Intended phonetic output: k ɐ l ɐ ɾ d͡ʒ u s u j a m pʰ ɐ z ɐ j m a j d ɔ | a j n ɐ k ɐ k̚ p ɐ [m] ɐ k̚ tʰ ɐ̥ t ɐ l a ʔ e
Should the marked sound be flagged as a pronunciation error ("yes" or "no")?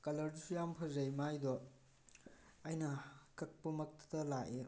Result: no